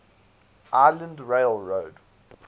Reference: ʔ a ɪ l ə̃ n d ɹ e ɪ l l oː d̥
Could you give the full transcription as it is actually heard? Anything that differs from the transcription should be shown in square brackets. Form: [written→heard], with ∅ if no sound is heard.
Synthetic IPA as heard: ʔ a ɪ l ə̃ n d ɹ e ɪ l [l→ɹ] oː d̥